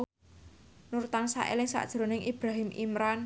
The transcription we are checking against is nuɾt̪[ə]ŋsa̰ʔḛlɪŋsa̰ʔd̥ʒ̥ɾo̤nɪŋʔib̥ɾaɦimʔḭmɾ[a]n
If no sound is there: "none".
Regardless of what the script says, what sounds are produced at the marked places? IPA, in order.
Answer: a, a

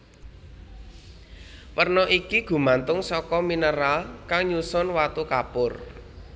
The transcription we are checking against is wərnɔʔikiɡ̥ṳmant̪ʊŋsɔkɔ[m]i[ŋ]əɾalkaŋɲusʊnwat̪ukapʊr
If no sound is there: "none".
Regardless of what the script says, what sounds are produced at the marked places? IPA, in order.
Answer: m, n

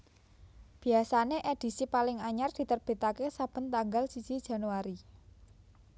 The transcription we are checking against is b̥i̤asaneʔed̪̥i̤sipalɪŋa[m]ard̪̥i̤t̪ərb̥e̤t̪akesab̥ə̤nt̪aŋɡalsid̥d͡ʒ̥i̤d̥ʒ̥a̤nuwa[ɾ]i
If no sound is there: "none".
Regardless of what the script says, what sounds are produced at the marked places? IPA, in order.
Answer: ɲ, ɾ

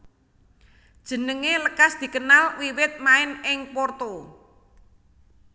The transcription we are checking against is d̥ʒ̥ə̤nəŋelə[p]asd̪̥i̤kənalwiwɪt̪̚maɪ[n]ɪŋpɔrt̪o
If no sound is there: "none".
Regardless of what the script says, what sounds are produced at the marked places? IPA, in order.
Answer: k, n

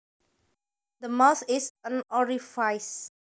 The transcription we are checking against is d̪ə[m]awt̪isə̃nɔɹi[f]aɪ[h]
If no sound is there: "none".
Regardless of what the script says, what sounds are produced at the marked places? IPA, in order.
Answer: m, f, s

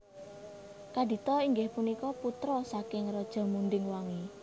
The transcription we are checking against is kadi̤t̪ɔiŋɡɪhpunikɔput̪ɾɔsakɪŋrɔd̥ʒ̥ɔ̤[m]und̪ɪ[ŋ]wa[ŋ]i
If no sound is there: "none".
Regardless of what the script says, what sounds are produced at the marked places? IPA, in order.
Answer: m, ŋ, ŋ

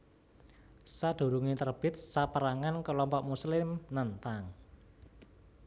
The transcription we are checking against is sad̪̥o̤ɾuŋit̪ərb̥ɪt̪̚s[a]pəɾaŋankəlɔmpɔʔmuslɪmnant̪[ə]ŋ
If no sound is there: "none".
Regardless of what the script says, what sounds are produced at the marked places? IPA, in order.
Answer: a, a

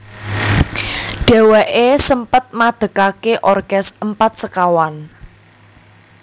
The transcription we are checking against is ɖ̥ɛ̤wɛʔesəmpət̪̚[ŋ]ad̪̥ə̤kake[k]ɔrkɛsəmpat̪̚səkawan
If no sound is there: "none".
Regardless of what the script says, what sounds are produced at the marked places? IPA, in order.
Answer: m, ʔ

